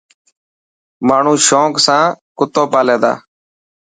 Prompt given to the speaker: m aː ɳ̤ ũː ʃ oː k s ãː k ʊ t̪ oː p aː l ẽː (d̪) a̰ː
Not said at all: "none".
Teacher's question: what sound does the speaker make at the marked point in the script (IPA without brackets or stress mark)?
d̪